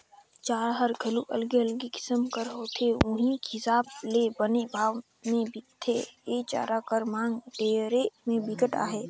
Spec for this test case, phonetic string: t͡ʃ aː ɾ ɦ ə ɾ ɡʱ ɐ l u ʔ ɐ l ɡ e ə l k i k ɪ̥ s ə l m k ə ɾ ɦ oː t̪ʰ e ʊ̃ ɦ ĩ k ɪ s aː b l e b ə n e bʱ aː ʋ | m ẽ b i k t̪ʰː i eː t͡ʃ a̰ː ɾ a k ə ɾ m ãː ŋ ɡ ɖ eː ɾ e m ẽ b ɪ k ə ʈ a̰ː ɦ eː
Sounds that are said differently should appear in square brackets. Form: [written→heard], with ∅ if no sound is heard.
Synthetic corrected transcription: t͡ʃ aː ɾ ɦ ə ɾ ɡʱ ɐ l u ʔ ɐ l ɡ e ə l [k→ɡ] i k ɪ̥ s ə [l→∅] m k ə ɾ ɦ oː t̪ʰ e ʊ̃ ɦ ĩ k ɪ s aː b l e b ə n e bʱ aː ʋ | m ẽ b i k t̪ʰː [i→e] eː t͡ʃ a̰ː ɾ a k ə ɾ m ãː ŋ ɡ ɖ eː ɾ e m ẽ b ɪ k ə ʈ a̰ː ɦ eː

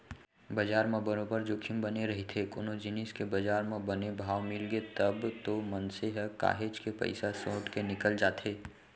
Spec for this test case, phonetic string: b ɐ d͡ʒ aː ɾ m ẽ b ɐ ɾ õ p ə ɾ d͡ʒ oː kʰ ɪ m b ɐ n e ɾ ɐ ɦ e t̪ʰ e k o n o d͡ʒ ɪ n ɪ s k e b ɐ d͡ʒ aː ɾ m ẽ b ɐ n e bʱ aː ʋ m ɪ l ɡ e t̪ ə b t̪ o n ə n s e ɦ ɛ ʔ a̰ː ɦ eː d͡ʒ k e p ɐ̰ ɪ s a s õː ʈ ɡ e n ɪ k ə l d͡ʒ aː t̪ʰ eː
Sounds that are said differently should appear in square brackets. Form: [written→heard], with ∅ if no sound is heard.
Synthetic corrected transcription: b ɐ d͡ʒ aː ɾ m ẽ b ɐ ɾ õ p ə ɾ d͡ʒ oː kʰ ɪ m b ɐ n e ɾ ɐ ɦ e t̪ʰ e k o n o d͡ʒ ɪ n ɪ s k e b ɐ d͡ʒ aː ɾ m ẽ b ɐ n e bʱ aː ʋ m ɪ l ɡ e t̪ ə b t̪ o [n→m] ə n s e ɦ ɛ [ʔ→k] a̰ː ɦ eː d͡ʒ k e p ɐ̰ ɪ s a s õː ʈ [ɡ→k] e n ɪ k ə l d͡ʒ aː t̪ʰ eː

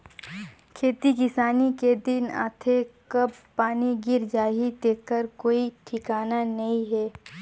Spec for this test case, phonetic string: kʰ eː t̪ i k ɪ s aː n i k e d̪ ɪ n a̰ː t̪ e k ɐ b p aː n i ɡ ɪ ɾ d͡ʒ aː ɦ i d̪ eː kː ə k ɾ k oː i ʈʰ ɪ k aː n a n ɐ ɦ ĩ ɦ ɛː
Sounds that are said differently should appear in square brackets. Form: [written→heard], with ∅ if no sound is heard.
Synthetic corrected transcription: kʰ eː t̪ i k ɪ s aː n i k e d̪ ɪ n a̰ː [t̪→t̪ʰ] e k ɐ b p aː n i ɡ ɪ ɾ d͡ʒ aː ɦ i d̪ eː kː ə [k→∅] ɾ k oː i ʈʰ ɪ k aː n a n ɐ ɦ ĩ ɦ ɛː

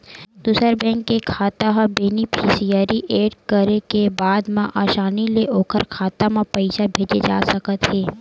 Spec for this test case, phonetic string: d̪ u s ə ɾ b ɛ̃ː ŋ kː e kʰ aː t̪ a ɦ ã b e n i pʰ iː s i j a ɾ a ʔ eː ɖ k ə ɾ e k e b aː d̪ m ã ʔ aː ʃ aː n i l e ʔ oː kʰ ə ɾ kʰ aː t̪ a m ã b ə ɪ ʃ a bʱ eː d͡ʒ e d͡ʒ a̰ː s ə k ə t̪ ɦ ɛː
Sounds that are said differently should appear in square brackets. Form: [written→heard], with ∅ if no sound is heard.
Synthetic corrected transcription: d̪ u s ə ɾ b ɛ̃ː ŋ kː e kʰ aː t̪ a ɦ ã b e n i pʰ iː s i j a ɾ [a→i] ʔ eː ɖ k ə ɾ e k e b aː d̪ m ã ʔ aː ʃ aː n i l e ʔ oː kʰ ə ɾ kʰ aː t̪ a m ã [b→p] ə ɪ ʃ a bʱ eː d͡ʒ e d͡ʒ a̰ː s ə k ə t̪ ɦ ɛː

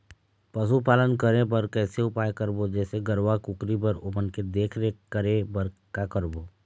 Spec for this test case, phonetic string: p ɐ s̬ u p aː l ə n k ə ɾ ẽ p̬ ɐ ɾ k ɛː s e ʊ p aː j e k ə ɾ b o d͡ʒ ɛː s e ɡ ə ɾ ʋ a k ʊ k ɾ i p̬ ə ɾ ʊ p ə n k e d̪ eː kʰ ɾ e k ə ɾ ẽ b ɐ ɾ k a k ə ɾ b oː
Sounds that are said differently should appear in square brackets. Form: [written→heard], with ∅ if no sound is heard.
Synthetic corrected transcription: p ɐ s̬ u p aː l ə n k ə ɾ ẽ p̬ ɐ ɾ k ɛː s e ʊ p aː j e k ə ɾ b o d͡ʒ ɛː s e ɡ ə ɾ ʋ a k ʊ k ɾ i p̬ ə ɾ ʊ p ə n k e d̪ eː kʰ ɾ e k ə ɾ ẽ b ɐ ɾ k a k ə ɾ b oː

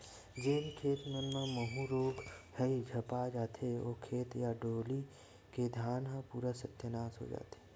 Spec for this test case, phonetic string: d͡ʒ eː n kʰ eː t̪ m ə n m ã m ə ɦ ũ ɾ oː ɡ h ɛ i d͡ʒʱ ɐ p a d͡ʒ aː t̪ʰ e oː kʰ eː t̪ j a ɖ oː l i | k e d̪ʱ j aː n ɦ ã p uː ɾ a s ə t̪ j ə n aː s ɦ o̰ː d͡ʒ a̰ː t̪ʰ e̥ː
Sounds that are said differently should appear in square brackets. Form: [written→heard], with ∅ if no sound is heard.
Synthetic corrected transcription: d͡ʒ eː n kʰ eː t̪ m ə n m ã m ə ɦ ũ ɾ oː ɡ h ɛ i d͡ʒʱ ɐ p a d͡ʒ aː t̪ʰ e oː kʰ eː t̪ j a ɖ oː l i | k e d̪ʱ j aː n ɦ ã p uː ɾ a s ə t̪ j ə n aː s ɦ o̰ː d͡ʒ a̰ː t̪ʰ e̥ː

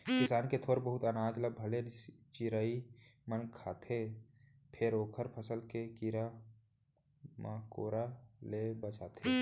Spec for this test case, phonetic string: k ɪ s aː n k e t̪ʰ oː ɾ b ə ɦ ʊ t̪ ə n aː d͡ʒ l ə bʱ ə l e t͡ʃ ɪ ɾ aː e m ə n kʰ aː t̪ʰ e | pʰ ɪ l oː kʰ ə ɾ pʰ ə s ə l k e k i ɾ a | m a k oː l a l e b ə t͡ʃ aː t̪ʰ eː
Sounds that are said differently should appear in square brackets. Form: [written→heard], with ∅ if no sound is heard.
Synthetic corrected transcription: k ɪ s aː n k e t̪ʰ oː ɾ b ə ɦ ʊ t̪ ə n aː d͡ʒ l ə bʱ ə l e t͡ʃ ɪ ɾ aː [e→i] m ə n kʰ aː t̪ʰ e | pʰ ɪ [l→ɾ] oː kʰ ə ɾ pʰ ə s ə l k e k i ɾ a | m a k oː [l→ɾ] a l e b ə t͡ʃ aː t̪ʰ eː

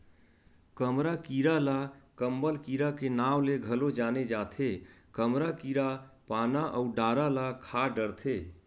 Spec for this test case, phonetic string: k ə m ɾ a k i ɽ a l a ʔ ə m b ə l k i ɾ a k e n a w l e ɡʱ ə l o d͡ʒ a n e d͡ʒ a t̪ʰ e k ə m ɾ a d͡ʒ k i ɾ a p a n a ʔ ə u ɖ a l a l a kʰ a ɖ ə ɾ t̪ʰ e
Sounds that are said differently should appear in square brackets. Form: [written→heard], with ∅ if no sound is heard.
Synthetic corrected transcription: k ə m ɾ a k i [ɽ→ɾ] a l a [ʔ→k] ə m b ə l k i ɾ a k e n a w l e ɡʱ ə l o d͡ʒ a n e d͡ʒ a t̪ʰ e k ə m ɾ a [d͡ʒ→∅] k i ɾ a p a n a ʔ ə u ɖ a [l→ɾ] a l a kʰ a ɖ ə ɾ t̪ʰ e

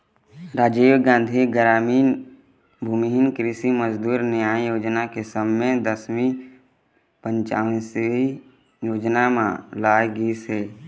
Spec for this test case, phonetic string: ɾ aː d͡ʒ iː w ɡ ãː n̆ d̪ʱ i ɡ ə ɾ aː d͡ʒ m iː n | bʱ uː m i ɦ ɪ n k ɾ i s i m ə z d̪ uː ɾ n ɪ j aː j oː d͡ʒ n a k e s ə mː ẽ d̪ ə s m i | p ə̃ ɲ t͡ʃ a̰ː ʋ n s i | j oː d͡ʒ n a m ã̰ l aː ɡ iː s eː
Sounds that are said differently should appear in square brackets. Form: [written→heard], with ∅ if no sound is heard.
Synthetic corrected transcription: ɾ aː d͡ʒ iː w ɡ ãː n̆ d̪ʱ i ɡ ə ɾ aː [d͡ʒ→∅] m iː n | bʱ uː m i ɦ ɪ n k ɾ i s i m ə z d̪ uː ɾ n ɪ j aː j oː d͡ʒ n a k e s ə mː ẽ d̪ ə s m i | p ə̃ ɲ t͡ʃ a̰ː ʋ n s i | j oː d͡ʒ n a m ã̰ l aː ɡ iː s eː

